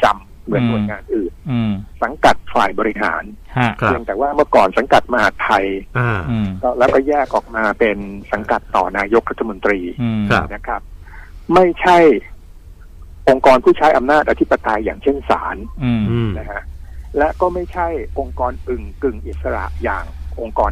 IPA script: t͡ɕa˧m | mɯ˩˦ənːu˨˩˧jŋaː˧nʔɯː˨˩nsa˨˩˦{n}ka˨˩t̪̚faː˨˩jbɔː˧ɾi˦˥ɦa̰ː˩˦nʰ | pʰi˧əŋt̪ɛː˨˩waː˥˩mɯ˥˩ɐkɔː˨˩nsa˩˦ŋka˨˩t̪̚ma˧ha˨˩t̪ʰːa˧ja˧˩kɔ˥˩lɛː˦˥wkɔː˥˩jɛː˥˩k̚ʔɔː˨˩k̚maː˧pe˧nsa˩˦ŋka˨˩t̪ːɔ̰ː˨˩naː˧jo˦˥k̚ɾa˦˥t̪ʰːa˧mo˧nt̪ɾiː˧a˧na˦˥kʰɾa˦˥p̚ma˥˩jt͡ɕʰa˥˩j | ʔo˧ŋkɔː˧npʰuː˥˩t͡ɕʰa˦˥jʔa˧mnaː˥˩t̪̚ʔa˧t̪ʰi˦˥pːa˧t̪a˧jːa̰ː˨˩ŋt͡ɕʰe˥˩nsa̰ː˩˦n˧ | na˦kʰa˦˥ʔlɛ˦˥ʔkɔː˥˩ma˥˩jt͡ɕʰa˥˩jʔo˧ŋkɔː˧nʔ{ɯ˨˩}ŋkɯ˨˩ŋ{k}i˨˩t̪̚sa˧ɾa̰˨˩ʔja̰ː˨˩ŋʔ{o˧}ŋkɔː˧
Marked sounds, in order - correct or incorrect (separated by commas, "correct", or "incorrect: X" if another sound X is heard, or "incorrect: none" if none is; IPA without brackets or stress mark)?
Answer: incorrect: ŋ, correct, incorrect: ʔ, correct